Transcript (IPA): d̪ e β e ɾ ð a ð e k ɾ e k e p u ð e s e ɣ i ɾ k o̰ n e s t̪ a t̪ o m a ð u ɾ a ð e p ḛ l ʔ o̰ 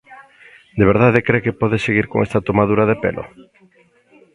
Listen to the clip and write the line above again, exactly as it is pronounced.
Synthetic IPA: d̪ e β e ɾ ð a ð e k ɾ e k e p ɔ ð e s e ɣ i ɾ k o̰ ŋ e s t̪ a t̪ o m a ð u ɾ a ð e p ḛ l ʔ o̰